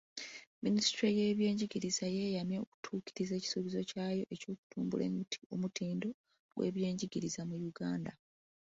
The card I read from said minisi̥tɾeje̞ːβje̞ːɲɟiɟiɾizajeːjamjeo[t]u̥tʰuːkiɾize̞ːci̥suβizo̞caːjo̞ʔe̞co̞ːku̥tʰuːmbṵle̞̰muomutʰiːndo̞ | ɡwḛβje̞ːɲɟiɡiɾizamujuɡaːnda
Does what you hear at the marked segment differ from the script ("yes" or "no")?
yes